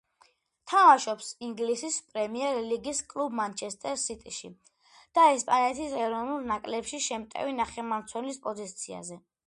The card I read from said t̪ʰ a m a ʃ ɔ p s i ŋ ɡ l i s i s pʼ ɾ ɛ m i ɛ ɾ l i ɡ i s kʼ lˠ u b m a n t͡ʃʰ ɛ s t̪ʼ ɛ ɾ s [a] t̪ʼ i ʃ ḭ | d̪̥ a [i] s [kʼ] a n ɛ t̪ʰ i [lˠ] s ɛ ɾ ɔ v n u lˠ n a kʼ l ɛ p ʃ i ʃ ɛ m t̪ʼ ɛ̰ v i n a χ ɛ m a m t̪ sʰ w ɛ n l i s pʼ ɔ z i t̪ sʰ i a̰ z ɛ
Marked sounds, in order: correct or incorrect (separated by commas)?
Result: incorrect, incorrect, incorrect, incorrect